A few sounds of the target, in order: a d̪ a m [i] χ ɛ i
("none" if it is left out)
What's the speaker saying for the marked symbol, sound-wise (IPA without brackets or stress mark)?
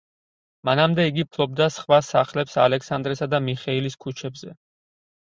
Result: i